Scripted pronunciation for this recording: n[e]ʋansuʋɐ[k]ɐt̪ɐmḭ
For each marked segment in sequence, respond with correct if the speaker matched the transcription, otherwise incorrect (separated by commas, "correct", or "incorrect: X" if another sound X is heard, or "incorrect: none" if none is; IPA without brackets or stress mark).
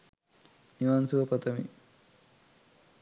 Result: incorrect: i, incorrect: p